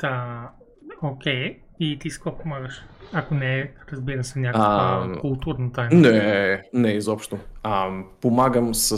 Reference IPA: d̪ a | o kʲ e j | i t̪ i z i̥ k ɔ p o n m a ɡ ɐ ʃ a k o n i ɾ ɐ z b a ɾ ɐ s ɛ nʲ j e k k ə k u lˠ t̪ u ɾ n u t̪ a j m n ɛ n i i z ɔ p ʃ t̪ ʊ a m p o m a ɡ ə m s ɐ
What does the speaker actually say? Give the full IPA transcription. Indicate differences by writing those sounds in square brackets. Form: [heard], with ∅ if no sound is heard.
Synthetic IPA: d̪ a | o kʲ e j | i t̪ i [s] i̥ k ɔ p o [∅] m a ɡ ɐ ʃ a k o n [ɛ] ɾ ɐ z b [i] ɾ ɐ s ɛ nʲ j [a] k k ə k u lˠ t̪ u ɾ n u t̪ a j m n ɛ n [ɛ] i z ɔ p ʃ t̪ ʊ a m p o m a ɡ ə m s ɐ